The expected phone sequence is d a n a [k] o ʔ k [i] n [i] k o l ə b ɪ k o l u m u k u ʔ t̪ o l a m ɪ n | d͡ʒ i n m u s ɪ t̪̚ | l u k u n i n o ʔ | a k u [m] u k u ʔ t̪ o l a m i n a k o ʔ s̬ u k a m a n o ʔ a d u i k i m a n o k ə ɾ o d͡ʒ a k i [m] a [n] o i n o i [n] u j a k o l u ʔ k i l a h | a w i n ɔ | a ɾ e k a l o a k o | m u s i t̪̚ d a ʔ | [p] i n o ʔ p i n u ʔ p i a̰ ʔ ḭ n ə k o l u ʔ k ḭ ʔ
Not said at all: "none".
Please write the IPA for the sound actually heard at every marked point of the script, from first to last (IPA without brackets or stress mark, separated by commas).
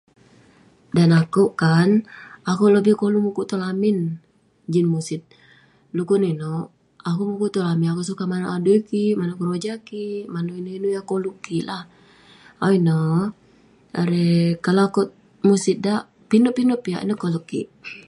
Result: k, a, a, m, m, n, n, p